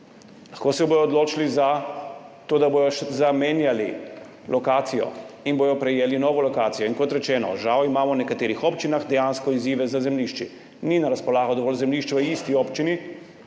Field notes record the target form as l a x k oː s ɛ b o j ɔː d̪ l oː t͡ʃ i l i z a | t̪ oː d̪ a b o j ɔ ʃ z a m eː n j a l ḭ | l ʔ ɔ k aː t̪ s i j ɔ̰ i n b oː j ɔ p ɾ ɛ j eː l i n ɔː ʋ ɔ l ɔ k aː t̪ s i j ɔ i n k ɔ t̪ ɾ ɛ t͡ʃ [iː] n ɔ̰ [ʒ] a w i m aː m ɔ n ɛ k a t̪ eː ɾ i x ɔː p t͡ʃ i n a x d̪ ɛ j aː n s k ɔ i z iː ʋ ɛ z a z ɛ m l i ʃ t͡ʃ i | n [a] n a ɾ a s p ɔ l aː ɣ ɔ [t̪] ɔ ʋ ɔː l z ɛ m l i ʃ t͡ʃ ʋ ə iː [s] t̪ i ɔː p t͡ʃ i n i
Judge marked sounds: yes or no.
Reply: no, yes, no, no, yes

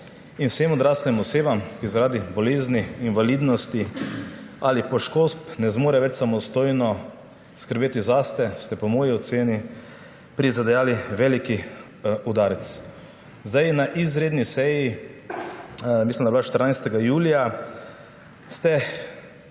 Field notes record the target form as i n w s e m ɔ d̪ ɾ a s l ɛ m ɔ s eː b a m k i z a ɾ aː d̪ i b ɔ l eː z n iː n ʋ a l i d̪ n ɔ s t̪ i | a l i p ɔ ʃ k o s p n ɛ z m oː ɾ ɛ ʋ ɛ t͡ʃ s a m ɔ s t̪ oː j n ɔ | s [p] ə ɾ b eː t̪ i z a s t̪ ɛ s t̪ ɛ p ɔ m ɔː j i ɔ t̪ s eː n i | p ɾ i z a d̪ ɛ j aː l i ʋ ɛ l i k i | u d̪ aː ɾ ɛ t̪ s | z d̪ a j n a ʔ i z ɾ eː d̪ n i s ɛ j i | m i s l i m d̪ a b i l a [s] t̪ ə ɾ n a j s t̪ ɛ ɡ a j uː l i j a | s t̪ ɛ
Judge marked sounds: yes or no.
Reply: no, no

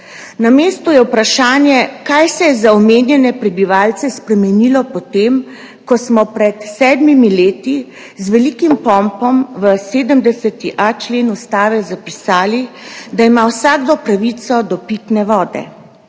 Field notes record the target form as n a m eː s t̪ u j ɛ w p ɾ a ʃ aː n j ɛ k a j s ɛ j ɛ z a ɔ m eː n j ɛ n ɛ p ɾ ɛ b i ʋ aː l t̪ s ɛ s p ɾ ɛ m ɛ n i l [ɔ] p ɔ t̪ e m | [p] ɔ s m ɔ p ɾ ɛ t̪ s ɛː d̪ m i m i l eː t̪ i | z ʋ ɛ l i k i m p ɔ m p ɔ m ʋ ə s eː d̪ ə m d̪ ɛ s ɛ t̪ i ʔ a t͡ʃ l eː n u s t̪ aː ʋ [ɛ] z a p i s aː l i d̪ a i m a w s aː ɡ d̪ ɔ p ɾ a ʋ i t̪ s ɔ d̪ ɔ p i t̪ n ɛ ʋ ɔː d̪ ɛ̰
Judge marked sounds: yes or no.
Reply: yes, no, yes

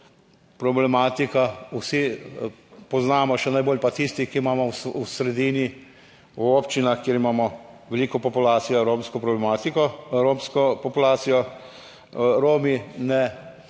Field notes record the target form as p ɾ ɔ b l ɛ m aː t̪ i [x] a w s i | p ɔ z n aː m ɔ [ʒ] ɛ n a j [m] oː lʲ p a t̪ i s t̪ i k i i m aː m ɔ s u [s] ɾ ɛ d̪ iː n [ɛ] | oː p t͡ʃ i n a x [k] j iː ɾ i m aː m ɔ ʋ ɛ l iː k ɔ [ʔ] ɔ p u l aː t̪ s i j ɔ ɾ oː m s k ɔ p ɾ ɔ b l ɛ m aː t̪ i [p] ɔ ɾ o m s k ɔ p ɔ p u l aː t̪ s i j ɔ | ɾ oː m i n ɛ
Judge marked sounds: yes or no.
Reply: no, no, no, yes, no, yes, no, no

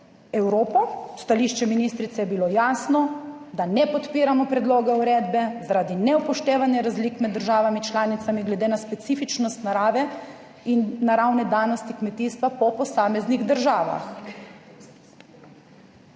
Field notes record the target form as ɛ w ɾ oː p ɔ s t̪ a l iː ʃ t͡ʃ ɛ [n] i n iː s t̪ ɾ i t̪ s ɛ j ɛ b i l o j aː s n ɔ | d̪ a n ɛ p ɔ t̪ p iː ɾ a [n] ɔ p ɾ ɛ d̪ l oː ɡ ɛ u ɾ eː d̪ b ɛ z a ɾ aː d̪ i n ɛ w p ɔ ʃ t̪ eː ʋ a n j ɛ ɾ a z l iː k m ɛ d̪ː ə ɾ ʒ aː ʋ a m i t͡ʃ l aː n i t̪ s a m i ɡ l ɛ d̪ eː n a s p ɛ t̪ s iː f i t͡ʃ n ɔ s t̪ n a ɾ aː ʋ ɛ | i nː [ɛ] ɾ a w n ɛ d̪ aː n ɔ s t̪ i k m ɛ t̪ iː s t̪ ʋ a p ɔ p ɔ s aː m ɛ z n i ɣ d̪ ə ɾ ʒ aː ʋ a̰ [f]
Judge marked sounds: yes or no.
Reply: no, no, no, no

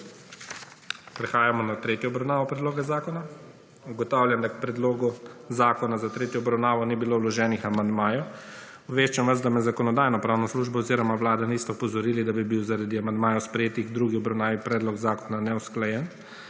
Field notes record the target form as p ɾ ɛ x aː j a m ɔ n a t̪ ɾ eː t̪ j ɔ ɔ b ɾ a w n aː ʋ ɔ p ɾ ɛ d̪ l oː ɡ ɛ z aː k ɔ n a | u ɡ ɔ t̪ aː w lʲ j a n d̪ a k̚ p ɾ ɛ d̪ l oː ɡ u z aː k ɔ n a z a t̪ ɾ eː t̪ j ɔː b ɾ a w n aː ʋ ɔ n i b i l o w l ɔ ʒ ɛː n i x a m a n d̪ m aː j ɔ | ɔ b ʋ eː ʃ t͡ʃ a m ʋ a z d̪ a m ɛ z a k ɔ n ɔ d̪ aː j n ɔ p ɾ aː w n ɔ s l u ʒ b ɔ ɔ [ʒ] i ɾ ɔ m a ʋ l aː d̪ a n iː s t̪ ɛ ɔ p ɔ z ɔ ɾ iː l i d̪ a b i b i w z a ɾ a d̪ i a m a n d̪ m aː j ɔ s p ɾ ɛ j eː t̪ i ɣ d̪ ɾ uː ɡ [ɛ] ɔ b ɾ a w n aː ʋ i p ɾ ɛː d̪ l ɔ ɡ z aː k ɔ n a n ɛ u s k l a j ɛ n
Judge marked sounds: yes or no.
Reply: no, no

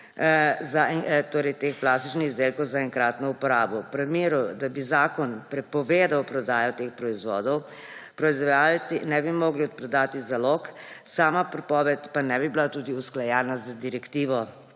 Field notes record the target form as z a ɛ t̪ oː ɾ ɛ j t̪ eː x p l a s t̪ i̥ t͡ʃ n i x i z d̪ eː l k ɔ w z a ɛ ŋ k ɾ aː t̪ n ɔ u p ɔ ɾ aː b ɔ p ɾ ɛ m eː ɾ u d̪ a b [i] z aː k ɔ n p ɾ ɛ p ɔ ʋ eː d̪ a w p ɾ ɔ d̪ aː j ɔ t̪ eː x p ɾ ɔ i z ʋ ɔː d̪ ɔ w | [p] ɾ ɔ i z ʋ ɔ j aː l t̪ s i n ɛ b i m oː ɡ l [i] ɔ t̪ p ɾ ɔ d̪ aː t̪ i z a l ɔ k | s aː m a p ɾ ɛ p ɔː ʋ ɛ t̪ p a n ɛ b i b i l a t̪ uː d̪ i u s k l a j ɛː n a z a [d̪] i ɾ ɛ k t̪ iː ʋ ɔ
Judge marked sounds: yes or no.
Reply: yes, yes, yes, yes

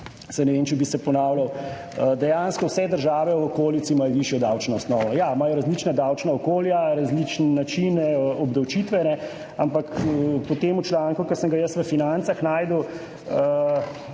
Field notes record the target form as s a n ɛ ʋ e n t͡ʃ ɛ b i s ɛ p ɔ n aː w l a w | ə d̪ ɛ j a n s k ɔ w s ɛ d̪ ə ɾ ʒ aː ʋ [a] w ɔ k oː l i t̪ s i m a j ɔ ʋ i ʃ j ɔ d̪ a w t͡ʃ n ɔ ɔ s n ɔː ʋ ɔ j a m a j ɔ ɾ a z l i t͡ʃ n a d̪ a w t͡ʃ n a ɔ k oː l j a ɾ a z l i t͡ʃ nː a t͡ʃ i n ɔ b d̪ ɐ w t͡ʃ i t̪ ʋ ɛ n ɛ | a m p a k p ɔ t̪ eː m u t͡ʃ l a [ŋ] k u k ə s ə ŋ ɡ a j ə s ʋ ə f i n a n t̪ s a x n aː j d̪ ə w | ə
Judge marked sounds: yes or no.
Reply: no, yes

